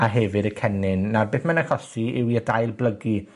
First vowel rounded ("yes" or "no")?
no